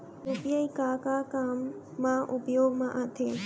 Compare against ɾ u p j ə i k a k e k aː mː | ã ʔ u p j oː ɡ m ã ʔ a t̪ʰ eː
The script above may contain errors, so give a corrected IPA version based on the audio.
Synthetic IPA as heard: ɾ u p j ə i k a k a k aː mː | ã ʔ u p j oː ɡ m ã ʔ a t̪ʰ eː